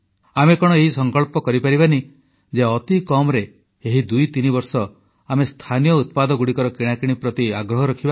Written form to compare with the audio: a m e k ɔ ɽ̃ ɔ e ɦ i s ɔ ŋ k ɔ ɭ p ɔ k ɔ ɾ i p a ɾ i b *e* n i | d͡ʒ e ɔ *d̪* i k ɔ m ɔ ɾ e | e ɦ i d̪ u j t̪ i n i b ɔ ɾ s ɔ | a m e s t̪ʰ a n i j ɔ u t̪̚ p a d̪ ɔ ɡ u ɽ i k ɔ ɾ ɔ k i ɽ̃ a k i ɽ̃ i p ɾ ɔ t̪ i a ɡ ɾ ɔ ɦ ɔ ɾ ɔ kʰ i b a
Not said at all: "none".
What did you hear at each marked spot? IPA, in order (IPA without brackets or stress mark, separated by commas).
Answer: a, t̪